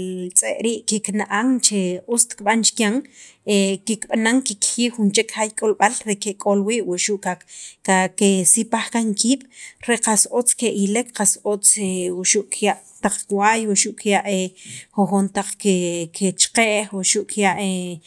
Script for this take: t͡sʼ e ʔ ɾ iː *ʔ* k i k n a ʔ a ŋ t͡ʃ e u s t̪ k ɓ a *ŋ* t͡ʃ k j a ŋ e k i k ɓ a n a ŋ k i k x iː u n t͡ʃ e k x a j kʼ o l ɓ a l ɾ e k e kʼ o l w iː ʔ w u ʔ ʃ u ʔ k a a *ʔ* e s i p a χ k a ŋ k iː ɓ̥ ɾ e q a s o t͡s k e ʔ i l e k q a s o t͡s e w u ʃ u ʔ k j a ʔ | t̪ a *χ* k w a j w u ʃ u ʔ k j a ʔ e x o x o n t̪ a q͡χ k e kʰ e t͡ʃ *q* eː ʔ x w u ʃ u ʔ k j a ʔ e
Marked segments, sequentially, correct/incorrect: correct, incorrect, incorrect, incorrect, correct

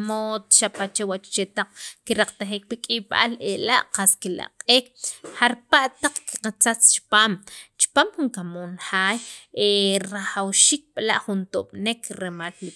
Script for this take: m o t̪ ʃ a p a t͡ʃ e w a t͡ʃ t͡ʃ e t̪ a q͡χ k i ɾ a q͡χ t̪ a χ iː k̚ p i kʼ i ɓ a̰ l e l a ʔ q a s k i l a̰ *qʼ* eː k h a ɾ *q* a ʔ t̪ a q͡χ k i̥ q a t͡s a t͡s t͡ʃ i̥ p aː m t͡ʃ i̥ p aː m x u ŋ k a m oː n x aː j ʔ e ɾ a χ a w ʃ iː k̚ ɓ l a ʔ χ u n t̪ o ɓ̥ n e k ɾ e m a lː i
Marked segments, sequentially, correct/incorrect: correct, incorrect

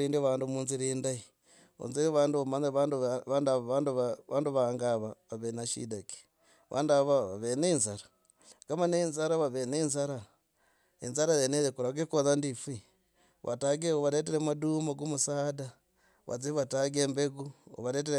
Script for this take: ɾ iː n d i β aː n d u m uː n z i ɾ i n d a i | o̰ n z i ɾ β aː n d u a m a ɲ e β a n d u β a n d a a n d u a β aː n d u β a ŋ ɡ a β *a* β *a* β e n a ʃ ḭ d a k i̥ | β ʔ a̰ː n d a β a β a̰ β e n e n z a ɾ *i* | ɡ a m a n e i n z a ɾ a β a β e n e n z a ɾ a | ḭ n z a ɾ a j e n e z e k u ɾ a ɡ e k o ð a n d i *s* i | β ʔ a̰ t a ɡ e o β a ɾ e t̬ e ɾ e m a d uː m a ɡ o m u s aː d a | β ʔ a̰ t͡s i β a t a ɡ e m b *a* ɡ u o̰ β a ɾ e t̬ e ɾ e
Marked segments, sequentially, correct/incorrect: correct, correct, incorrect, incorrect, incorrect

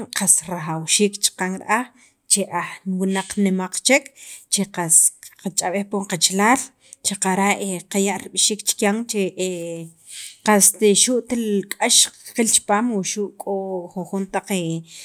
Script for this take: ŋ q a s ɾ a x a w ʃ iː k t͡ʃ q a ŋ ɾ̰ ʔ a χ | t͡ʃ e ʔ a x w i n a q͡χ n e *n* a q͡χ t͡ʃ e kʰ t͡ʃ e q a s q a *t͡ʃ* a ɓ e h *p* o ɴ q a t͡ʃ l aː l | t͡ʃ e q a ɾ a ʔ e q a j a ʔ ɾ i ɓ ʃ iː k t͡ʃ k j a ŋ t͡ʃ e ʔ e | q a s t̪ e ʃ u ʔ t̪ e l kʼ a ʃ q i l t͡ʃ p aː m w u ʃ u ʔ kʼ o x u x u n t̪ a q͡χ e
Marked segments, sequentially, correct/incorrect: incorrect, incorrect, correct

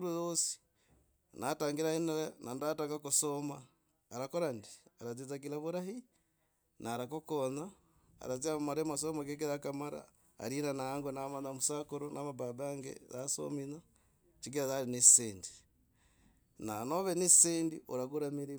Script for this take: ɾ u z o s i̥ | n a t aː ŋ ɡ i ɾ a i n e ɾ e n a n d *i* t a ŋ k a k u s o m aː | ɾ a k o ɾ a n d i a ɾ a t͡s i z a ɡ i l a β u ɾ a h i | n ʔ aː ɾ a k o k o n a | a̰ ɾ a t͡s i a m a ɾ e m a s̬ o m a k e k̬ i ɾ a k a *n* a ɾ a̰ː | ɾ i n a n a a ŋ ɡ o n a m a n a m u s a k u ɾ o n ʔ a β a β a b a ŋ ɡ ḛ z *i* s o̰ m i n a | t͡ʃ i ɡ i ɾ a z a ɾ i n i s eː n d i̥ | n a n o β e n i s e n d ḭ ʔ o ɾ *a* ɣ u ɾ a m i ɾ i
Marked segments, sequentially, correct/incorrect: incorrect, incorrect, incorrect, correct

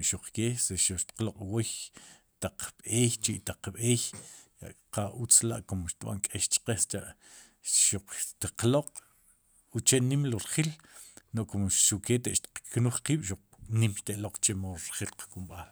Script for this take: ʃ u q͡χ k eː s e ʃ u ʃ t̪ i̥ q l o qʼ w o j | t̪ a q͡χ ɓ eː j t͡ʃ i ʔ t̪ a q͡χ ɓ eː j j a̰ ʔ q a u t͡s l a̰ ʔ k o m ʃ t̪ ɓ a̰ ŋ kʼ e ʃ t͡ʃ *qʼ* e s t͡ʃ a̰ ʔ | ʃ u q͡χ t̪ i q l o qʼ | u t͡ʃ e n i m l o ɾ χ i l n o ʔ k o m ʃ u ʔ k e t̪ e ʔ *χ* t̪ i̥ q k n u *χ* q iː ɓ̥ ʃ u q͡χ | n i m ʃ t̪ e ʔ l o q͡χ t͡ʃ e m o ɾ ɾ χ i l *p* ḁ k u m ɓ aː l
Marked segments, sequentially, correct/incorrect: incorrect, incorrect, correct, incorrect

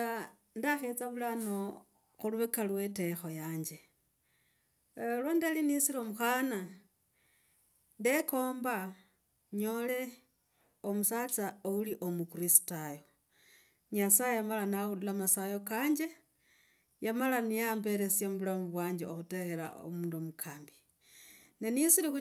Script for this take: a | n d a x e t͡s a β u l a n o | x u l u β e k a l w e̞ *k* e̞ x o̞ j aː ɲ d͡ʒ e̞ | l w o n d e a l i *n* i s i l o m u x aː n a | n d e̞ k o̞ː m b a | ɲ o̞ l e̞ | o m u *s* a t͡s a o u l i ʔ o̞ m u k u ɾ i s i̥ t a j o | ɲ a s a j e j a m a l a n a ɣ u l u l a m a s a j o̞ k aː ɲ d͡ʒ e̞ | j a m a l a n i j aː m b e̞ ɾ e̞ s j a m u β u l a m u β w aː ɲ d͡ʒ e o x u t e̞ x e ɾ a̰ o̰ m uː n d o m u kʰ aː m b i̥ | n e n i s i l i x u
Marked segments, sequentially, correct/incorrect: incorrect, correct, correct

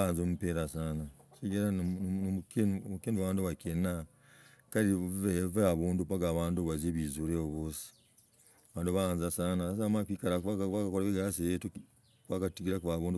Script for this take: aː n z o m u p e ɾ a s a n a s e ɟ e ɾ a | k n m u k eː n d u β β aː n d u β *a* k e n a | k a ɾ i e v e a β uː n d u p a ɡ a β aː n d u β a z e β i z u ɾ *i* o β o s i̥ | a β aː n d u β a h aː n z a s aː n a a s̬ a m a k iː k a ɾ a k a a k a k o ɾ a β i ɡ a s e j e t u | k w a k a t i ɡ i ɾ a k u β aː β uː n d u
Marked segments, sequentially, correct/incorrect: correct, incorrect

